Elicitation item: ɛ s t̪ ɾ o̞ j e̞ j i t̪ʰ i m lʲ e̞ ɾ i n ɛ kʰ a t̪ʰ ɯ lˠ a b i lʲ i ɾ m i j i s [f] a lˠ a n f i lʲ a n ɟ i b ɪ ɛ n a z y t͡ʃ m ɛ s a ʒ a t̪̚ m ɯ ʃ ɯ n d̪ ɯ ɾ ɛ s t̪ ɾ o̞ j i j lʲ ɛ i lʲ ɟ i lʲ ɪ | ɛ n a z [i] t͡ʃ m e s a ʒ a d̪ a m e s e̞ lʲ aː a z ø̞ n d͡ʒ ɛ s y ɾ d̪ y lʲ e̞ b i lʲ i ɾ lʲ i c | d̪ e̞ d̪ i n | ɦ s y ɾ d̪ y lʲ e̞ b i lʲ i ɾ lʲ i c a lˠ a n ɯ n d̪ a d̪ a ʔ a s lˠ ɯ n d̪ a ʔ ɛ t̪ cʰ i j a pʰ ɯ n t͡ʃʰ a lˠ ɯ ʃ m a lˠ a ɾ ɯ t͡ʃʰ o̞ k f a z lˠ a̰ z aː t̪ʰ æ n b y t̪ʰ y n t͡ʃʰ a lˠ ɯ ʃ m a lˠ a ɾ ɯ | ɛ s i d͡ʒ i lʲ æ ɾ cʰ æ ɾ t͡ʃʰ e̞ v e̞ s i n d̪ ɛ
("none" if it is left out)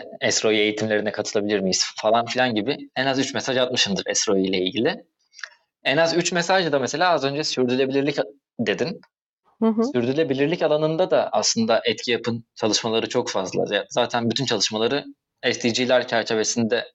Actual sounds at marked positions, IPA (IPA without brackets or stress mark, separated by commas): f, y